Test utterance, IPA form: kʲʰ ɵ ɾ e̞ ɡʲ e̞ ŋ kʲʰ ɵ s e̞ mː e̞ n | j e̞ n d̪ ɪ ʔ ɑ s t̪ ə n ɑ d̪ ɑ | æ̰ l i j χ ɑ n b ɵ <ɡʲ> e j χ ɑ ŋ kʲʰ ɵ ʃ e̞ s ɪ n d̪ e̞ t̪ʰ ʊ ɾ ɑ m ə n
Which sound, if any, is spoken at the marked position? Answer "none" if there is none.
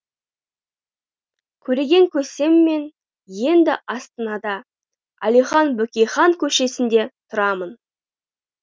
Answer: kʲ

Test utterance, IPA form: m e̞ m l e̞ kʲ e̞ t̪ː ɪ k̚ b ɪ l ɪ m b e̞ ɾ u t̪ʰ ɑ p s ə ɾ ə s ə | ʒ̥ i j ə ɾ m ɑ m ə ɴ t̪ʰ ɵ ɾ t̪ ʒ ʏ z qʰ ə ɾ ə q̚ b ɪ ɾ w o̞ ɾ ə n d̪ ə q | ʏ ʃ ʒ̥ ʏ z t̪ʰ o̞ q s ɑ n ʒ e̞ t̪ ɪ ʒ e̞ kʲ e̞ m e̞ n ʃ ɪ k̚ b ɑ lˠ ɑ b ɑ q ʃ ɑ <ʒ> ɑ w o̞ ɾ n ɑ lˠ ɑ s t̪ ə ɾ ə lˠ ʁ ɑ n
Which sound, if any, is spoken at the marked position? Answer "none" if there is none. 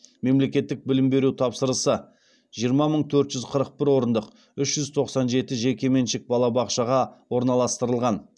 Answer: ʁ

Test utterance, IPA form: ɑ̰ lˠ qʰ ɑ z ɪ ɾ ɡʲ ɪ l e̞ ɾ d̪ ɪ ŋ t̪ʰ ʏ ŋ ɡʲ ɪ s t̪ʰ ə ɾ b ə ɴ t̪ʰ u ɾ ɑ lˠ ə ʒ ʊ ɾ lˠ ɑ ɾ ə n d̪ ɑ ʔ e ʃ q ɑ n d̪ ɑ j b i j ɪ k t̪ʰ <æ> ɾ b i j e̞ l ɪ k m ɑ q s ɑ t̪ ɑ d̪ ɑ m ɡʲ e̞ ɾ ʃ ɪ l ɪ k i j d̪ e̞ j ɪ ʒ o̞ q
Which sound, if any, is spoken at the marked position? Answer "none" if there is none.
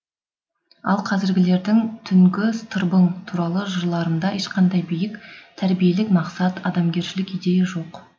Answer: æ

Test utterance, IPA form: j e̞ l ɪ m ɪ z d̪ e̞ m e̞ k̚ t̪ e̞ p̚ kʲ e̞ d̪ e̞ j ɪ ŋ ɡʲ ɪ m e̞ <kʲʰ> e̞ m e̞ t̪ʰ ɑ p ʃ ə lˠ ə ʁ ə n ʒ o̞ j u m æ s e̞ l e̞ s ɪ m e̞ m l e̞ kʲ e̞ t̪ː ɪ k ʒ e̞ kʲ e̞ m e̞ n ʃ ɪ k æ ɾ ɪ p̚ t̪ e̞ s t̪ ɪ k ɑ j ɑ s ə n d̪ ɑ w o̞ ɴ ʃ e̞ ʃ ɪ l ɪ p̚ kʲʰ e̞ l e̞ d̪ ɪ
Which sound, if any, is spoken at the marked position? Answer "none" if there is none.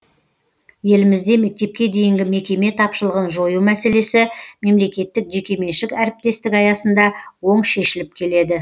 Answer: kʲ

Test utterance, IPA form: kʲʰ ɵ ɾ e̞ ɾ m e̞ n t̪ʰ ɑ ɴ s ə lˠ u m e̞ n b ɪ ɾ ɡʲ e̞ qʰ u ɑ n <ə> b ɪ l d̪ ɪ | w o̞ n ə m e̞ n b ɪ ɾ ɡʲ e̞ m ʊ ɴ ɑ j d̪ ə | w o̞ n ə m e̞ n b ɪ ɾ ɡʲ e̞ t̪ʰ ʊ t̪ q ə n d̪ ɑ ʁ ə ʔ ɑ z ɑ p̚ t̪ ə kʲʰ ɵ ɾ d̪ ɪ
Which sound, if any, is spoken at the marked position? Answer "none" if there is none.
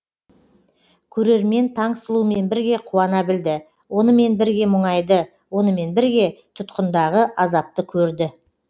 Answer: ɑ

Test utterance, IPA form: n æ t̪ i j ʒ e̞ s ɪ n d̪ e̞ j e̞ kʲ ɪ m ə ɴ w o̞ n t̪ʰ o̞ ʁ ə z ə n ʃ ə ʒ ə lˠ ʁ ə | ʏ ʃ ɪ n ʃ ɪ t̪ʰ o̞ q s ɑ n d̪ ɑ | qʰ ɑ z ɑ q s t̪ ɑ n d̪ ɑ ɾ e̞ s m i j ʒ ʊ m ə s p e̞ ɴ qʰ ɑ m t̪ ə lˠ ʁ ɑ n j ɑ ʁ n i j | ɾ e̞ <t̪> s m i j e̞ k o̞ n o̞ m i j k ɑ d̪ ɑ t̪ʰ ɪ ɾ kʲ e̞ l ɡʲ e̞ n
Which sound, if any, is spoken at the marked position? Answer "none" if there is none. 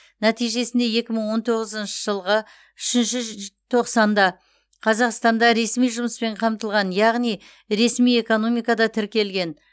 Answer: none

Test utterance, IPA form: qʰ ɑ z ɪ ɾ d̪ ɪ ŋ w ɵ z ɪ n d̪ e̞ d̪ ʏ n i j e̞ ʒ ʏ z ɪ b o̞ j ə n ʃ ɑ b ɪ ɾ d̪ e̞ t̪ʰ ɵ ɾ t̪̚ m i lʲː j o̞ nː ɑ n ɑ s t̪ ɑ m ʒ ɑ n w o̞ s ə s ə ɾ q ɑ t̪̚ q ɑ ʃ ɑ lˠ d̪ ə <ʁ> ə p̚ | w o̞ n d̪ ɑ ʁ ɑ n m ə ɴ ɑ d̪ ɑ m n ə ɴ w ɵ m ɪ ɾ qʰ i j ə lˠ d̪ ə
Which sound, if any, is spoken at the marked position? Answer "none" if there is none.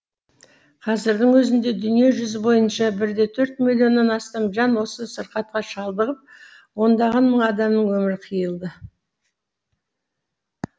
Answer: ʁ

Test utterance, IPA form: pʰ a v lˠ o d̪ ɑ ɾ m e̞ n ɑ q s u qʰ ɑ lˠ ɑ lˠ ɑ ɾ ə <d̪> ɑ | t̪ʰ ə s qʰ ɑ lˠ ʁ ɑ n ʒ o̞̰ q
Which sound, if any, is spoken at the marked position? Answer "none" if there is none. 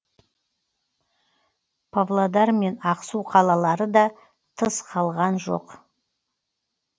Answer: d̪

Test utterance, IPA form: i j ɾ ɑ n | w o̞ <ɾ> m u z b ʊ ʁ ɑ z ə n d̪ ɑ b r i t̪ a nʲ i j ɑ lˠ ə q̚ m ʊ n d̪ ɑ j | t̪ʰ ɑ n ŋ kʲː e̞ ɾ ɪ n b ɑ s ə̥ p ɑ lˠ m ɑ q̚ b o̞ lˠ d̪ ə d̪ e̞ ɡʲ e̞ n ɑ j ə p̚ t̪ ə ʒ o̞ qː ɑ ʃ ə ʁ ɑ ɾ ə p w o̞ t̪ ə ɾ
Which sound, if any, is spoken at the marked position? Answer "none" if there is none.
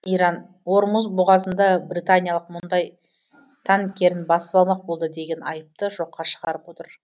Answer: ɾ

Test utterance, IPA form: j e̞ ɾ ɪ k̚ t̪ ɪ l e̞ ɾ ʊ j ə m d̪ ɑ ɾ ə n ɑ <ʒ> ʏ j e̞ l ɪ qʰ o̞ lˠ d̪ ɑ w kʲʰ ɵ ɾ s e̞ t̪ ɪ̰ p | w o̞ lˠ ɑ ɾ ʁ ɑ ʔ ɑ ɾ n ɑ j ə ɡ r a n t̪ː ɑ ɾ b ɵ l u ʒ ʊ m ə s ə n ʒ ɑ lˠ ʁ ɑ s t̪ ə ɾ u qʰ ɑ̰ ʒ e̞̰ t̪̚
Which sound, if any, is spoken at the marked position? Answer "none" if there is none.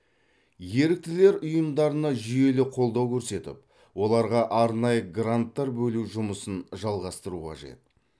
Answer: ʒ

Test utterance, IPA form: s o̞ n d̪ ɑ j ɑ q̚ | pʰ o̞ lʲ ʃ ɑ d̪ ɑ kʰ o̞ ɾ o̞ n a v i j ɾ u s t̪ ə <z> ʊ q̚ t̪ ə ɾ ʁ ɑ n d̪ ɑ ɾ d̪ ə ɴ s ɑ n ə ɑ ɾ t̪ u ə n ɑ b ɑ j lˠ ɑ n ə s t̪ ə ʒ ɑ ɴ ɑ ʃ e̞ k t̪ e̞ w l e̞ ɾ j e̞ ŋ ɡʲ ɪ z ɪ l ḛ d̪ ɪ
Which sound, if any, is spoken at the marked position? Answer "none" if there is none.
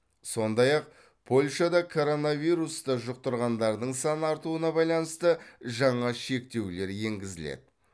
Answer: ʒ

